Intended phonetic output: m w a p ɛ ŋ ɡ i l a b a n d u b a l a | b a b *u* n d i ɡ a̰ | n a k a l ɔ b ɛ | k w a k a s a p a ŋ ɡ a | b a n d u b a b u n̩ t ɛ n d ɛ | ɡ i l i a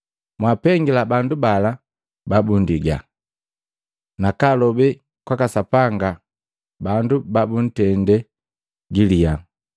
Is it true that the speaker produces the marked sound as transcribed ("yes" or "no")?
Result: yes